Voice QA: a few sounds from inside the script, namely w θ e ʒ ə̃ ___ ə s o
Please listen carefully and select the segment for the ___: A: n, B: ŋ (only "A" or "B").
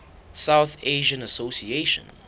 A